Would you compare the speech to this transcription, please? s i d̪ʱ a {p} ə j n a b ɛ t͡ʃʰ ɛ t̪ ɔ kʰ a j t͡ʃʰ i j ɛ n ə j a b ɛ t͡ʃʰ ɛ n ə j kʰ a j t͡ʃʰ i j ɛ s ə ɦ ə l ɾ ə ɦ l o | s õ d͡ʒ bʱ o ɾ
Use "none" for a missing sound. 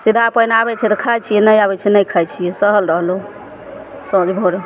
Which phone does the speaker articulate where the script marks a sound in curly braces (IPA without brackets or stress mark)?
p